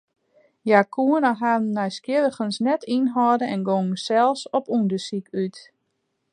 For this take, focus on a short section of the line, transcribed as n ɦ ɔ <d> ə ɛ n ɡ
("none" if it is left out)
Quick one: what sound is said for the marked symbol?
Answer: d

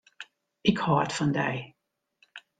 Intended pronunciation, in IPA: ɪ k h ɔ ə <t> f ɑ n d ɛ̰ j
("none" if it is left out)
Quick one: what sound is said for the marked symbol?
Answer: t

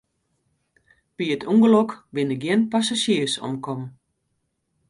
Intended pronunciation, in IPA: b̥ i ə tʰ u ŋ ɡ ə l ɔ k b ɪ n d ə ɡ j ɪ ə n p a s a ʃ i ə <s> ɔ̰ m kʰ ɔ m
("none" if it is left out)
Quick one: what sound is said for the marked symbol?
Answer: s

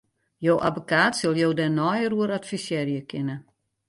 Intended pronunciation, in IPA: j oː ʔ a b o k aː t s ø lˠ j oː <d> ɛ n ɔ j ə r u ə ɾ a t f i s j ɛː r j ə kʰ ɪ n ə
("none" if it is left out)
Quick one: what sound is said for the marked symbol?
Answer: d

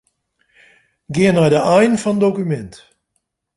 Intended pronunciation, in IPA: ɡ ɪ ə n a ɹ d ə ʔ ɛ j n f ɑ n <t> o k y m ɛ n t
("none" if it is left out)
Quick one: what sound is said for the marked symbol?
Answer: d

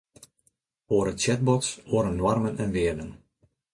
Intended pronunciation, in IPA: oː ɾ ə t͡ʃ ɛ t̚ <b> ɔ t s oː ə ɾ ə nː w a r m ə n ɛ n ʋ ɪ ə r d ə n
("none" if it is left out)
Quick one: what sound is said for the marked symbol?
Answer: b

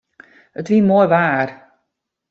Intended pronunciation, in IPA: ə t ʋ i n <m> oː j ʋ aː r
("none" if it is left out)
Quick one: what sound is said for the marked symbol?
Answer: m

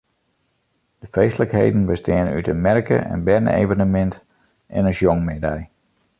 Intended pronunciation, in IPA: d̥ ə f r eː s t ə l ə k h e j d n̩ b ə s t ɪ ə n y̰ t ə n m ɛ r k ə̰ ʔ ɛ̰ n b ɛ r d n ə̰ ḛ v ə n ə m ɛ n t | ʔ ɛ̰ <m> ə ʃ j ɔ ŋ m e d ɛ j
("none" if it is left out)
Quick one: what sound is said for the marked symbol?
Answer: n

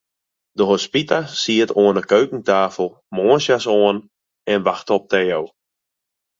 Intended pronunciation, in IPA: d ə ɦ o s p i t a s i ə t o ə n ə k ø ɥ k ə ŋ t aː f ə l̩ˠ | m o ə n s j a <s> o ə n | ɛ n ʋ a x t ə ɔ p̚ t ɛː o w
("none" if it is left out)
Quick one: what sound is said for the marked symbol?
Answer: s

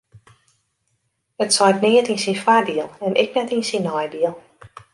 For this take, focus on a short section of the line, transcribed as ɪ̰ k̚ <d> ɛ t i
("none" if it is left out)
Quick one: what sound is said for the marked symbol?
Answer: n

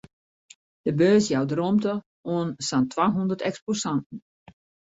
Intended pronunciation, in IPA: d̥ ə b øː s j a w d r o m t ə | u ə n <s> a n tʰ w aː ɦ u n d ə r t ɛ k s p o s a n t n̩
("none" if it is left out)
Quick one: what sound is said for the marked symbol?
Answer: s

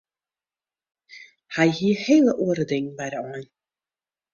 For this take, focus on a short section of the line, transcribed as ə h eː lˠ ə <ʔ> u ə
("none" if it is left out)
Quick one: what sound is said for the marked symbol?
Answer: ʔ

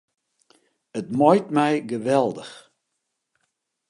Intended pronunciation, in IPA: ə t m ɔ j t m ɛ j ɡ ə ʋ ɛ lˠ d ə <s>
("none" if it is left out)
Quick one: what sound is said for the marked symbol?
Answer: x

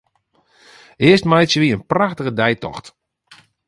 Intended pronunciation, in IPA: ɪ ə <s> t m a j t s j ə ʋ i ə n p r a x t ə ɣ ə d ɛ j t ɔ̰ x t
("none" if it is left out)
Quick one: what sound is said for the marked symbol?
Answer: s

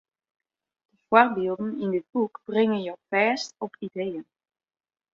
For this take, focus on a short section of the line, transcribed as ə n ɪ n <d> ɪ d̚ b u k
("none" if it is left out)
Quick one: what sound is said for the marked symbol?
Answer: d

